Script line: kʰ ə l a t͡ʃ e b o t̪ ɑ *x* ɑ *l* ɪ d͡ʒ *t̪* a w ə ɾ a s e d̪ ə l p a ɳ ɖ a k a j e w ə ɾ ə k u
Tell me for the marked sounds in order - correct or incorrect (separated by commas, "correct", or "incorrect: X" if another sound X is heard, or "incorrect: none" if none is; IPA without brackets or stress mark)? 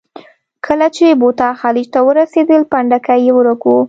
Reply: correct, correct, correct